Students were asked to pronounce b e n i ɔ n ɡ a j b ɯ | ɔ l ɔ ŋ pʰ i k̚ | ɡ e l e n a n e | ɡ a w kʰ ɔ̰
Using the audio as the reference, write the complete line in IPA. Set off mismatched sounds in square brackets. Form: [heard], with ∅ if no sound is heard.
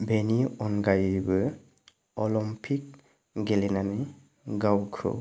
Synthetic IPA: b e n i ɔ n ɡ a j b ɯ | ɔ l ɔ [m] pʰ i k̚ | ɡ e l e n a n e | ɡ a w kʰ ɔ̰